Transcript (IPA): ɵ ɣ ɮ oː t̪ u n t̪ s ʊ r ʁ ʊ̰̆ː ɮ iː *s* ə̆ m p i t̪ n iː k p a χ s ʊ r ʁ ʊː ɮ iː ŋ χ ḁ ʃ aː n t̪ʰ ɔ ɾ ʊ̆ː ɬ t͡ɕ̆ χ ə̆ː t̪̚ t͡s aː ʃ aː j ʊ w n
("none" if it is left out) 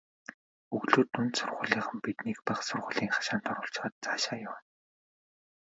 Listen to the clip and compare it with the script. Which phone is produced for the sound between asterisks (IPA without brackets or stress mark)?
χ